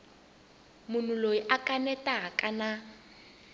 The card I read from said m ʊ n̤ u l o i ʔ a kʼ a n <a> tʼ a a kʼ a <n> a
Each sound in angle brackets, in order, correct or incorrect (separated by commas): incorrect, correct